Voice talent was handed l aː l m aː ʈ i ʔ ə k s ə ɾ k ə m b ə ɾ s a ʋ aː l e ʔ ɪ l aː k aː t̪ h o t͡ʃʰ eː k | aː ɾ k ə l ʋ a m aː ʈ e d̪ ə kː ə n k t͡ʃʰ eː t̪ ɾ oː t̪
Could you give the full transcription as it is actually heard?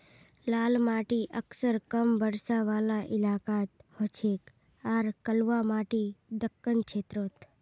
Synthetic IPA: l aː l m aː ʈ i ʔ ə k s ə ɾ k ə m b ə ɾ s a ʋ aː l a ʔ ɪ l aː k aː t̪ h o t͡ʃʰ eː k | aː ɾ k ə l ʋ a m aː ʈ i d̪ ə kː ə n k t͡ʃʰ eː t̪ ɾ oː t̪